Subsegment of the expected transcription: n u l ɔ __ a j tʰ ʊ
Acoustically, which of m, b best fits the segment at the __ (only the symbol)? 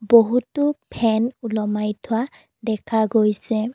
m